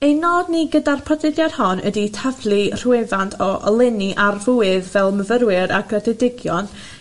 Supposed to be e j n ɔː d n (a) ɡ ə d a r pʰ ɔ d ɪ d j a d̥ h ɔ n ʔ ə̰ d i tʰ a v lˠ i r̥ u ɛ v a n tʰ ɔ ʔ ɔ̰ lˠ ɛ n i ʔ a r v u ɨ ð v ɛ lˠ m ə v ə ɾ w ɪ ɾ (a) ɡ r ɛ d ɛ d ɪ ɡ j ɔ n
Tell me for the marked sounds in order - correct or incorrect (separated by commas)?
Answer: incorrect, correct